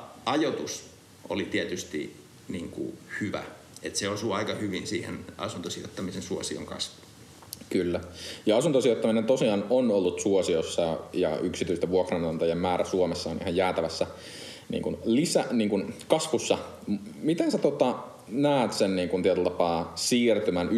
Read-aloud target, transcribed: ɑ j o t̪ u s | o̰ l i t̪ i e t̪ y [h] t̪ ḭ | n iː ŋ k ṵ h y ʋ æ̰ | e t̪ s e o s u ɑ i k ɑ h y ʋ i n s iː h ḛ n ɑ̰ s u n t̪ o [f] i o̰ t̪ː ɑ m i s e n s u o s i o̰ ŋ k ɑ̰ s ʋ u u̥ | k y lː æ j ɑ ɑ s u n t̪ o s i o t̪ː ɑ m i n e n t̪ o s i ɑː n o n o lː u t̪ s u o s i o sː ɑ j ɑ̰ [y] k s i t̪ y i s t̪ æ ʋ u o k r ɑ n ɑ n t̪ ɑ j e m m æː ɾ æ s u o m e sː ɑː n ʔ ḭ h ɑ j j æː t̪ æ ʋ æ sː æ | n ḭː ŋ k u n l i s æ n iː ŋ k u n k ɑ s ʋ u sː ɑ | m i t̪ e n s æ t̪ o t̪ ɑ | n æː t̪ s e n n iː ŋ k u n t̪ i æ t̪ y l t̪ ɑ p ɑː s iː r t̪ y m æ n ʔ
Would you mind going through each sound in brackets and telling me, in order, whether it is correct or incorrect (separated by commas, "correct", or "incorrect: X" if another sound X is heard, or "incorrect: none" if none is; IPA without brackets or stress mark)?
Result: incorrect: s, incorrect: s, correct